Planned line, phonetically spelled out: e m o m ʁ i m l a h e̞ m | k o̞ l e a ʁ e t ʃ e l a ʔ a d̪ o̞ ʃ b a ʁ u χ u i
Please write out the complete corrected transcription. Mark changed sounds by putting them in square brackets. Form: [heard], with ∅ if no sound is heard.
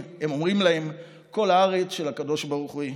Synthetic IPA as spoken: e m o m ʁ i m l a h e̞ m | k o̞ l [a] a ʁ e [t͡s] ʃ e l a [k] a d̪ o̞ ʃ b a ʁ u χ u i